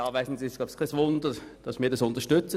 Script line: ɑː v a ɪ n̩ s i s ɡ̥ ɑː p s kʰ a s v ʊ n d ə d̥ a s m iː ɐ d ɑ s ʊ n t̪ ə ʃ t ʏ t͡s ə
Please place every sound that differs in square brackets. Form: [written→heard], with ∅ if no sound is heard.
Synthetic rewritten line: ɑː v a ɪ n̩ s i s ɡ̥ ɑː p s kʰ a s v ʊ n d ə d̥ [a→ɑ] s m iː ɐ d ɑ s ʊ n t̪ ə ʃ t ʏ t͡s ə